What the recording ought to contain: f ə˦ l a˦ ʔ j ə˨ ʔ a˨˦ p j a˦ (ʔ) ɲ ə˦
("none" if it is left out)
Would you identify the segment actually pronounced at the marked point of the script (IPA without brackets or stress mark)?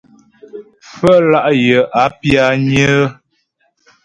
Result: none